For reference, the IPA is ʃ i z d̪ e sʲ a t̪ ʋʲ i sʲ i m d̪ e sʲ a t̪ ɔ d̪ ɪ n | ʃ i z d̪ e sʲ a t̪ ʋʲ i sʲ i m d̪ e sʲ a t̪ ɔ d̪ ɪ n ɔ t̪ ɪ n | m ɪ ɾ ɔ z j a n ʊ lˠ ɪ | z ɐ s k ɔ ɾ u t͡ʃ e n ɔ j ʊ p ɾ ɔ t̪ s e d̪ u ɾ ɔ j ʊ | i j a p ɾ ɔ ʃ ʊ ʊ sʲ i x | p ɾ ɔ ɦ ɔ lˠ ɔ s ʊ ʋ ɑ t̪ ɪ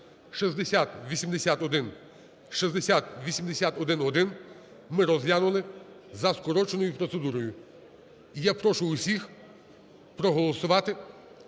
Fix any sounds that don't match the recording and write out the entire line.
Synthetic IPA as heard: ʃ i z d̪ e sʲ a t̪ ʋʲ i sʲ i m d̪ e sʲ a t̪ ɔ d̪ ɪ n | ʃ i z d̪ e sʲ a t̪ ʋʲ i sʲ i m d̪ e sʲ a t̪ ɔ d̪ ɪ n ɔ d̪ ɪ n | m ɪ ɾ ɔ z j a n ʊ lˠ ɪ | z ɐ s k ɔ ɾ ɔ t͡ʃ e n ɔ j ʊ p ɾ ɔ t̪ s e d̪ u ɾ ɔ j ʊ | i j a p ɾ ɔ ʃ ʊ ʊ sʲ i x | p ɾ ɔ ɦ ɔ lˠ ɔ s ʊ ʋ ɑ t̪ ɪ